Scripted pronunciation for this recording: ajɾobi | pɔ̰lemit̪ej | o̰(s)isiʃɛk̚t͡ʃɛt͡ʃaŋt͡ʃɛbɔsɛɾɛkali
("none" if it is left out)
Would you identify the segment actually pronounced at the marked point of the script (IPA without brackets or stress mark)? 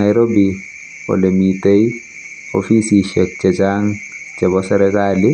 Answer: f